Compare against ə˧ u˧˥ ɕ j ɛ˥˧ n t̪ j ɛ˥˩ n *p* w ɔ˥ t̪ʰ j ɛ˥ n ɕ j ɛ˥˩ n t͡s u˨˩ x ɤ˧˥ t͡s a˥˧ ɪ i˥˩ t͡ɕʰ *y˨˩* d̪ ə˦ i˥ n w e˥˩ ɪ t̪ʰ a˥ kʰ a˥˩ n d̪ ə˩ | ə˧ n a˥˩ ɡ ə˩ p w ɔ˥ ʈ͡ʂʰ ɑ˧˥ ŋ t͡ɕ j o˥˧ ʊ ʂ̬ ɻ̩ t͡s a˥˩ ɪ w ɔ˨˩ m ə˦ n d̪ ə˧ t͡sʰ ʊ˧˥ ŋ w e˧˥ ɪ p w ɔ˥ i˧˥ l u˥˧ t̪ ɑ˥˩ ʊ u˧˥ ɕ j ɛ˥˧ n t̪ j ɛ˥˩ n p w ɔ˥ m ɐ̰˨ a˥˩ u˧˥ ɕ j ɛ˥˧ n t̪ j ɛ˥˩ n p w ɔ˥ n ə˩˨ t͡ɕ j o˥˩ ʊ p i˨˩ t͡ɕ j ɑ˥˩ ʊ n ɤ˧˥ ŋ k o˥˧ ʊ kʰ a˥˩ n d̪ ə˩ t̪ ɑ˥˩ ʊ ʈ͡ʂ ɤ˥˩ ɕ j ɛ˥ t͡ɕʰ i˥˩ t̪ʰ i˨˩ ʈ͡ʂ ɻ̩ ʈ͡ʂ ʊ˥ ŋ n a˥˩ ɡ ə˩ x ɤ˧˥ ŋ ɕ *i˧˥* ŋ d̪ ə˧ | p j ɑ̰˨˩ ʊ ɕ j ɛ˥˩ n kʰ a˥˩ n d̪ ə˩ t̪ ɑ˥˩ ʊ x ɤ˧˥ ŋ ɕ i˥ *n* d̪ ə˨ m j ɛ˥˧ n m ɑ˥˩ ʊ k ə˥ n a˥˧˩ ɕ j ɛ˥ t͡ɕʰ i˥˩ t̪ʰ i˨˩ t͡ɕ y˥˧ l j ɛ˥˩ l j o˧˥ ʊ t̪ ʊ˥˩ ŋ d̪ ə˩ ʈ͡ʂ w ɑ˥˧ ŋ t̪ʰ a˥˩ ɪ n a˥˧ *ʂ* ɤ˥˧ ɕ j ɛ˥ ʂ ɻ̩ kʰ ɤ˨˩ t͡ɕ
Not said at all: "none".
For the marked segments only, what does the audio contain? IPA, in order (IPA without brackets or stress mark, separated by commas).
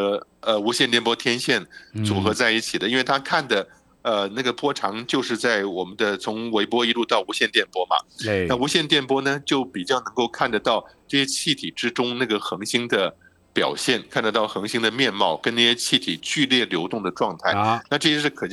p, i˨˩, i˥, ŋ, ʈ͡ʂ